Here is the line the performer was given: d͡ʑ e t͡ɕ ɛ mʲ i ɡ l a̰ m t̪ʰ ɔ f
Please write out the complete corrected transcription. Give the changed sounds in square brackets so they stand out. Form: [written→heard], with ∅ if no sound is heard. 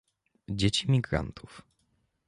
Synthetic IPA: d͡ʑ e t͡ɕ [ɛ→i] mʲ i ɡ [l→ɾ] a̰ [m→n] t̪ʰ [ɔ→u] f

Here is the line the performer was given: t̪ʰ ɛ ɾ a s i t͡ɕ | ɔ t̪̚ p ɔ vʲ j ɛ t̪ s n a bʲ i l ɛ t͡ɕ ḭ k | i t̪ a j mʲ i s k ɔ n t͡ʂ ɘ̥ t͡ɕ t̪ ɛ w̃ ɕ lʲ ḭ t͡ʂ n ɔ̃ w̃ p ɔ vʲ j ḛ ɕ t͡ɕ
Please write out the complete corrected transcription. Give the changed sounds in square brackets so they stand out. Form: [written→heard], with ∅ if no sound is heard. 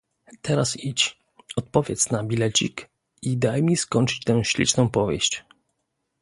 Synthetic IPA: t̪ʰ ɛ ɾ a s i t͡ɕ | ɔ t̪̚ p ɔ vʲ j ɛ t̪ s n a bʲ i l ɛ t͡ɕ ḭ k | i [t̪→d̪] a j mʲ i s k ɔ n t͡ʂ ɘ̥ t͡ɕ t̪ ɛ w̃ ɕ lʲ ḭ t͡ʂ n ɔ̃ w̃ p ɔ vʲ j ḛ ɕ t͡ɕ

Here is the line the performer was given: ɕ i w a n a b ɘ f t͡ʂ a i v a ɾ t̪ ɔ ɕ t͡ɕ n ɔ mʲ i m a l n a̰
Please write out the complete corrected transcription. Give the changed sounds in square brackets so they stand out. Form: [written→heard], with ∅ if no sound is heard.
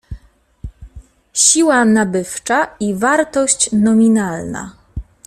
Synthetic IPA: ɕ i w a n a b ɘ f t͡ʂ a i v a ɾ t̪ ɔ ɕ t͡ɕ n ɔ mʲ i [m→n] a l n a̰

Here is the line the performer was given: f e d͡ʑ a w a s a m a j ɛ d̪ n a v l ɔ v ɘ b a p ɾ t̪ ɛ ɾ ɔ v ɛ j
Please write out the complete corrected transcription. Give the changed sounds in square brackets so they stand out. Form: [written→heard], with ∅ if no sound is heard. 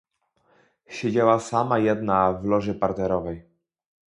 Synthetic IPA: [f→ɕ] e d͡ʑ a w a s a m a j ɛ d̪ n a v l ɔ [v→ʐ] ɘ [b→p] a [p→∅] ɾ t̪ ɛ ɾ ɔ v ɛ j

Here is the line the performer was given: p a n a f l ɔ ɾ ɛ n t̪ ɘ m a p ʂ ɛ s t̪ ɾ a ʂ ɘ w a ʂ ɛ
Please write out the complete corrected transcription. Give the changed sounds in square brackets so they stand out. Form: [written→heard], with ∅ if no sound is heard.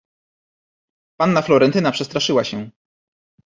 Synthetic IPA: p a [n→nː] a f l ɔ ɾ ɛ n t̪ ɘ [m→n] a p ʂ ɛ s t̪ ɾ a ʂ ɘ w a [ʂ→ɕ] ɛ

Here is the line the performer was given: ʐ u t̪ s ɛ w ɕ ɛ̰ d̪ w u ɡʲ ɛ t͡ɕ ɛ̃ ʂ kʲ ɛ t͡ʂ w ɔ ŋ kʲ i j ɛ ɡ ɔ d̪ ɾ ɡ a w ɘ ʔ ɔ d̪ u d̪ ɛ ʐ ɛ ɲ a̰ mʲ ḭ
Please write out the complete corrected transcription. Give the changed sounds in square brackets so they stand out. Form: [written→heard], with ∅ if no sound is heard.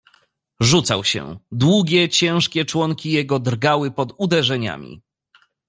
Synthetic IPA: ʐ u t̪ s [ɛ→a] w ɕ ɛ̰ d̪ w u ɡʲ ɛ t͡ɕ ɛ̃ ʂ kʲ ɛ t͡ʂ w ɔ ŋ kʲ i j ɛ ɡ ɔ d̪ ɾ ɡ a w ɘ [ʔ→p] ɔ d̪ u d̪ ɛ ʐ ɛ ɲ a̰ mʲ ḭ

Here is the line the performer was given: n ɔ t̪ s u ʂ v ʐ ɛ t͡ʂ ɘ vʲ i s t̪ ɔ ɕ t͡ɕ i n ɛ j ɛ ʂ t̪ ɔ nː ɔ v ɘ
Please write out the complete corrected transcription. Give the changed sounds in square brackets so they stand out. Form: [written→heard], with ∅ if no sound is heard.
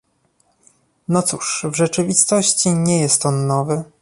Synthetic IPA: n ɔ t̪ s u ʂ v ʐ ɛ t͡ʂ ɘ vʲ i s t̪ ɔ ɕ t͡ɕ i [n→ɲ] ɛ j ɛ [ʂ→s] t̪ ɔ nː ɔ v ɘ

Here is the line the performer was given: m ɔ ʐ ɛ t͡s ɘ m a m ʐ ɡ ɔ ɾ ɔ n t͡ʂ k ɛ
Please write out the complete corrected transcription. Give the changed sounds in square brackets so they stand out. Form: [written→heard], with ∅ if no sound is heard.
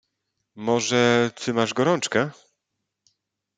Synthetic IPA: m ɔ ʐ ɛ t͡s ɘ m a [m→∅] ʐ ɡ ɔ ɾ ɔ n t͡ʂ k ɛ

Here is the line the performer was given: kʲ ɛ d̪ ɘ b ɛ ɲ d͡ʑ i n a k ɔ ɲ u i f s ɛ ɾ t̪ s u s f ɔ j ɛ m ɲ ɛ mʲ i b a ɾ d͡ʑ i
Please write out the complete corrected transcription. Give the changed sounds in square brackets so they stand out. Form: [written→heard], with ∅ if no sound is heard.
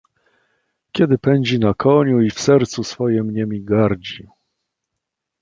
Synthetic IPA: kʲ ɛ d̪ ɘ [b→p] ɛ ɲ d͡ʑ i n a k ɔ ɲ u i f s ɛ ɾ t̪ s u s f ɔ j ɛ m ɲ ɛ mʲ i [b→ɡ] a ɾ d͡ʑ i

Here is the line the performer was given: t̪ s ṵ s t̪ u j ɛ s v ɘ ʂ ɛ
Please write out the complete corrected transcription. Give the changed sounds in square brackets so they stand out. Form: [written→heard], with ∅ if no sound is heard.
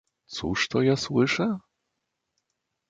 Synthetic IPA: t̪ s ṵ [s→ʂ] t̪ [u→ɔ] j [ɛ→a] s [v→w] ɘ ʂ ɛ

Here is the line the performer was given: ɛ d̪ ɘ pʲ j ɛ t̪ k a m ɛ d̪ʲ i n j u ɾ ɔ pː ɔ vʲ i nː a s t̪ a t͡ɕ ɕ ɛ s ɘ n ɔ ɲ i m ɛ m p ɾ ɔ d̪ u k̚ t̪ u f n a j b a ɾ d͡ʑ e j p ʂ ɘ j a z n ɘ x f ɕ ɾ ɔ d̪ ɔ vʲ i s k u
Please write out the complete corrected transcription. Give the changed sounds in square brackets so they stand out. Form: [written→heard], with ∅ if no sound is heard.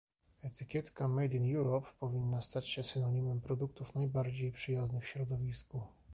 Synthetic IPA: ɛ [d̪→t̪] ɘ [pʲ→kʲ] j ɛ t̪ k a m ɛ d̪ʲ i n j u ɾ ɔ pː ɔ vʲ i nː a s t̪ a t͡ɕ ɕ ɛ s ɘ n ɔ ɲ i m ɛ m p ɾ ɔ d̪ u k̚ t̪ u f n a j b a ɾ d͡ʑ e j p ʂ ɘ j a z n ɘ x f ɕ ɾ ɔ d̪ ɔ vʲ i s k u

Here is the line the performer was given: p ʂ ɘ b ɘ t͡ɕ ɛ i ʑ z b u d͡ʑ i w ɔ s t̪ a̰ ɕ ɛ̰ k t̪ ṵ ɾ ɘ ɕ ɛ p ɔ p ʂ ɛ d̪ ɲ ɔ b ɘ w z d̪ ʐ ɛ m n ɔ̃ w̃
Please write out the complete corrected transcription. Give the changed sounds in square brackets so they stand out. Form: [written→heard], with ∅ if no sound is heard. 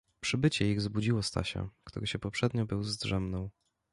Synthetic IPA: p ʂ ɘ b ɘ t͡ɕ ɛ i [ʑ→ɣ] z b u d͡ʑ i w ɔ s t̪ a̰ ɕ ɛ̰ k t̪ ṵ ɾ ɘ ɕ ɛ p ɔ p ʂ ɛ d̪ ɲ ɔ b ɘ w z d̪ ʐ ɛ m n ɔ̃ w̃

